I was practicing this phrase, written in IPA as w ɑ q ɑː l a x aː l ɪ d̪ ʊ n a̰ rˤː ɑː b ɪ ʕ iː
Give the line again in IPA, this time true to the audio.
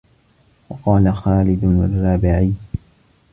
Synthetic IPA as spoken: w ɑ q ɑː l a x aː l ɪ d̪ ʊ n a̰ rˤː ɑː b ɪ ʕ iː